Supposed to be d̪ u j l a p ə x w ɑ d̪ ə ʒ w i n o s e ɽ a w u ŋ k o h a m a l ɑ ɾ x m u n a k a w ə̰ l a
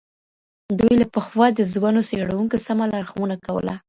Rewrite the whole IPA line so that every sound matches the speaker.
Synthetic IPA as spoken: d̪ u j l a p ə x w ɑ d̪ ə z w a n o s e ɽ a w u ŋ k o s a m a l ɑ ɾ x m u n a k a w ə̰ l a